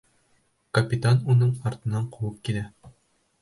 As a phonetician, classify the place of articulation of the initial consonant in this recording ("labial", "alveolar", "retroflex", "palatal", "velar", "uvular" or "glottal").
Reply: velar